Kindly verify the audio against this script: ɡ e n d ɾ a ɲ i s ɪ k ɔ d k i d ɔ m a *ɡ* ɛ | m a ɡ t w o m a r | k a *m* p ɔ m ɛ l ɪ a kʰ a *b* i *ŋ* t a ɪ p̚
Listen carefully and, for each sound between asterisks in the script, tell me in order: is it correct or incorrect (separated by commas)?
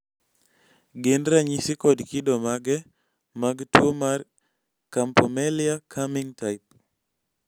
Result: correct, correct, incorrect, correct